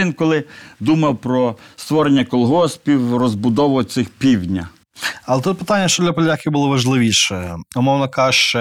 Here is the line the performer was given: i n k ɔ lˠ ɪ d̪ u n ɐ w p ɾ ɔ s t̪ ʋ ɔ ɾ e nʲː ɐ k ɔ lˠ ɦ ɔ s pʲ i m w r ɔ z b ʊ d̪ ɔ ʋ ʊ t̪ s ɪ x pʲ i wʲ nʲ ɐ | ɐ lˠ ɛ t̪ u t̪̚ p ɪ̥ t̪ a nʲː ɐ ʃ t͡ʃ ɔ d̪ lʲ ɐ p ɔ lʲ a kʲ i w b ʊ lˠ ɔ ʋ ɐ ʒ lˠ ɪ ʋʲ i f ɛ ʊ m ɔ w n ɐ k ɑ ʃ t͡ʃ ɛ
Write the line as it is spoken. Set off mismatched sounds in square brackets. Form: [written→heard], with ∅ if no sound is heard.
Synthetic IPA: i n k ɔ lˠ ɪ d̪ u [n→m] ɐ w p ɾ ɔ s t̪ ʋ ɔ ɾ e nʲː ɐ k ɔ lˠ ɦ ɔ s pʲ i [m→∅] w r ɔ z b ʊ d̪ ɔ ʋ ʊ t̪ s ɪ x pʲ i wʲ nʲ ɐ | ɐ lˠ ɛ t̪ u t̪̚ p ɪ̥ t̪ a nʲː ɐ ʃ t͡ʃ ɔ d̪ lʲ ɐ p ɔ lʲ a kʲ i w b ʊ lˠ ɔ ʋ ɐ ʒ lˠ ɪ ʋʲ i [f→ʃ] ɛ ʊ m ɔ w n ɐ k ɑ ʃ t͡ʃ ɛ